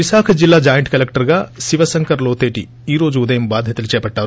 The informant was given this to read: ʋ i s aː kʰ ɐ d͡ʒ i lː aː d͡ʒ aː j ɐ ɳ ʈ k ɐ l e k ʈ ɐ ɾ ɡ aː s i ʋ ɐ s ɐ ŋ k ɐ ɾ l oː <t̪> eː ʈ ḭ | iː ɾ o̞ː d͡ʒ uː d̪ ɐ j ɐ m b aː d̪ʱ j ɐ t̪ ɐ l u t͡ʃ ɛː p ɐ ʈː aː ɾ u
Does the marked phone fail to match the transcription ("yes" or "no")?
no